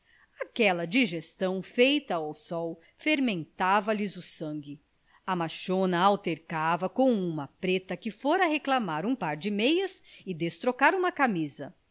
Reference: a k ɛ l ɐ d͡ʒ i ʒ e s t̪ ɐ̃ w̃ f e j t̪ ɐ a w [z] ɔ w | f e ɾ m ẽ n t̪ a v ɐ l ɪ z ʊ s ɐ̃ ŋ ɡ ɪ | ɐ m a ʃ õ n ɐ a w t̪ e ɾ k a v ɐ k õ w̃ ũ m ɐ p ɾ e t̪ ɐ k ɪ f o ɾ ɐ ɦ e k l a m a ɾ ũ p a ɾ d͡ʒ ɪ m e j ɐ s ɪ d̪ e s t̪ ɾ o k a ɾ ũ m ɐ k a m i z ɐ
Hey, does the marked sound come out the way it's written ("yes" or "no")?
no